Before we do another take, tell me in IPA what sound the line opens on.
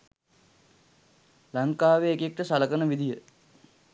l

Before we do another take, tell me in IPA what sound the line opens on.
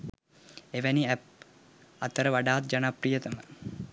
e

